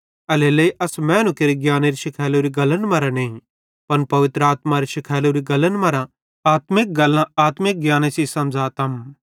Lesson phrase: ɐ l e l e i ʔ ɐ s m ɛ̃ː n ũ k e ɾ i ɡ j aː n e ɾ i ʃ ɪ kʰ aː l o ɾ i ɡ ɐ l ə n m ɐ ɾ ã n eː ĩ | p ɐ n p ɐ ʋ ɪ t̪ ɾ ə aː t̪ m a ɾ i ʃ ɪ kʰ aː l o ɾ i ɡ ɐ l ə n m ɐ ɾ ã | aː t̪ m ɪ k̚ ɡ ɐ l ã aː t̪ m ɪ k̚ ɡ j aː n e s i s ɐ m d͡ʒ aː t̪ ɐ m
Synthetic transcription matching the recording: ɐ l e l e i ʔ ɐ s m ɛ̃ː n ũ k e ɾ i ɡ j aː n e ɾ i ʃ ɪ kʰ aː l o ɾ i ɡ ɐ l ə n m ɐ ɾ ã n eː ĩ | p ɐ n p ɐ ʋ ɪ t̪ ɾ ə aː t̪ m a ɾ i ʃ ɪ kʰ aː l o ɾ i ɡ ɐ l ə n m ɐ ɾ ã | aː t̪ m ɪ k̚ ɡ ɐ l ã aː t̪ m ɪ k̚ ɡ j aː n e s i s ɐ m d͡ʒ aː t̪ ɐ m